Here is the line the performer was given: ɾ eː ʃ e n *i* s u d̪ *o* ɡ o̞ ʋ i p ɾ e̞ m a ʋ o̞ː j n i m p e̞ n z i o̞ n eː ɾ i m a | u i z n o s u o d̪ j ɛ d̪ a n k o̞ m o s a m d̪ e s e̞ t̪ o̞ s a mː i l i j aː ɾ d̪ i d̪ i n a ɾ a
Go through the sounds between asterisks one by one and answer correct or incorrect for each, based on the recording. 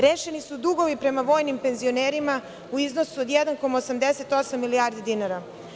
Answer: correct, incorrect: u

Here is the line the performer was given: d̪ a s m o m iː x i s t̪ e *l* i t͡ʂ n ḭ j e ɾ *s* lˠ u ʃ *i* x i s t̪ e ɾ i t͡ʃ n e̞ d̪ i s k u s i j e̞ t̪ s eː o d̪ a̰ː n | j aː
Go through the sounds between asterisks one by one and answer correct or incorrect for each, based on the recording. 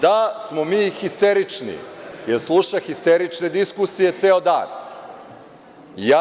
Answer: incorrect: ɾ, correct, incorrect: a

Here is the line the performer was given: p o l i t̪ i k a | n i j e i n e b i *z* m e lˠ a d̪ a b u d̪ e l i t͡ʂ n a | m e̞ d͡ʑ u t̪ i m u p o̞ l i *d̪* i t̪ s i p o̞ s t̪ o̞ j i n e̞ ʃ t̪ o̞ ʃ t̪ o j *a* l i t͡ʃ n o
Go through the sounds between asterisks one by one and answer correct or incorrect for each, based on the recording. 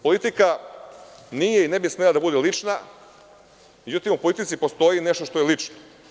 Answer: incorrect: s, incorrect: t̪, incorrect: e

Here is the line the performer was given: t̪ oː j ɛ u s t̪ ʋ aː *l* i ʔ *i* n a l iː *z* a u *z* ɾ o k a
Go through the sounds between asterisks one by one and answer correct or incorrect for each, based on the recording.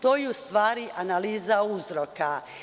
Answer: incorrect: ɾ, incorrect: a, correct, correct

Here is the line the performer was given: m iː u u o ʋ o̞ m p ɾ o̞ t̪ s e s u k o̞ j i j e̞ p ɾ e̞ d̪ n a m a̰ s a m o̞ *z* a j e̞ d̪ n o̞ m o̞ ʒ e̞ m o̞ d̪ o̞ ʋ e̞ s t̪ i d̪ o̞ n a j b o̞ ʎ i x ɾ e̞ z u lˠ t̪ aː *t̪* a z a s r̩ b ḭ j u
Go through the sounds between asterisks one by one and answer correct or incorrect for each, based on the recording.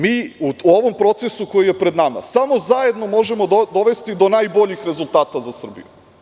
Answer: correct, correct

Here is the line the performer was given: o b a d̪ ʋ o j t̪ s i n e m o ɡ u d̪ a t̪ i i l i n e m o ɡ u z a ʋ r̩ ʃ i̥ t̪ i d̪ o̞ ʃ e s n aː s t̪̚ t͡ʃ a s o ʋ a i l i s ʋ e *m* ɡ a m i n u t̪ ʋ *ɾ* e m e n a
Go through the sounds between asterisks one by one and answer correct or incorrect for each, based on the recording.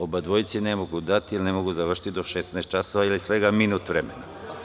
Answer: incorrect: none, correct

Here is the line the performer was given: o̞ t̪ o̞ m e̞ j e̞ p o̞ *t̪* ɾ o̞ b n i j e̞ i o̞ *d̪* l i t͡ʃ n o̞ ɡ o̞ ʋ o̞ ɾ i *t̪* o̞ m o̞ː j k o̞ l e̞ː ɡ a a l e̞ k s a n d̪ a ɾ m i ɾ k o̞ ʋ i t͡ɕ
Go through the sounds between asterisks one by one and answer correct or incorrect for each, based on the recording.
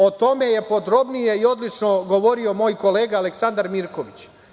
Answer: incorrect: d̪, correct, incorrect: none

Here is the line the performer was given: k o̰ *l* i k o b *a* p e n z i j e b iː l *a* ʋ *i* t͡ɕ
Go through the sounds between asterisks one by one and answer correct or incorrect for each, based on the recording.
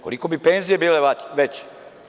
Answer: correct, incorrect: i, incorrect: e, incorrect: e

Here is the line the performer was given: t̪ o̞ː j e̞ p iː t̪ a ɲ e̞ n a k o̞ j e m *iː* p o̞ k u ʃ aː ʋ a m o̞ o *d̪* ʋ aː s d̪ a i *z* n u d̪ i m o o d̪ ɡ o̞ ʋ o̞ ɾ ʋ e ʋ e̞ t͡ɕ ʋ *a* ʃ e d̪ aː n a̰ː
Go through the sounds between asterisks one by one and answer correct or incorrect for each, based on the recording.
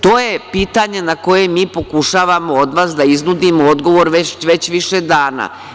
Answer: correct, correct, correct, incorrect: i

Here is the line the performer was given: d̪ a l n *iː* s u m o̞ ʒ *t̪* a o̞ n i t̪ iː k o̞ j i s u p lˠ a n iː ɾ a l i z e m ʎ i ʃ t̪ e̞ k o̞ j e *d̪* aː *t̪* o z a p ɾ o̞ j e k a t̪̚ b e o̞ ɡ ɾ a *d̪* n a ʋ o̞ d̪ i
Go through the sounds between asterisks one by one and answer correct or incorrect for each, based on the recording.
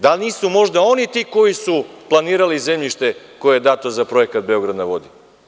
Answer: correct, incorrect: d̪, correct, correct, correct

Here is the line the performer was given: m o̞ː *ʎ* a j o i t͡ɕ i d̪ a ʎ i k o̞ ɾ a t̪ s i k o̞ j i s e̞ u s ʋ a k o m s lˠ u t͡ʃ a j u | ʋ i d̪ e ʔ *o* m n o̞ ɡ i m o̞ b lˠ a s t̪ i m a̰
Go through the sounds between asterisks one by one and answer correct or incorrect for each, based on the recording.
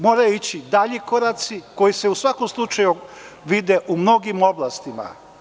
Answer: incorrect: ɾ, incorrect: u

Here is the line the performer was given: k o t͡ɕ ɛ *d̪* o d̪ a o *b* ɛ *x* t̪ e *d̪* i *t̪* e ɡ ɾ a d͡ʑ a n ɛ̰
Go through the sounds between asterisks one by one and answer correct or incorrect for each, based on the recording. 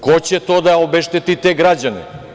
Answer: incorrect: t̪, correct, incorrect: ʃ, incorrect: t̪, correct

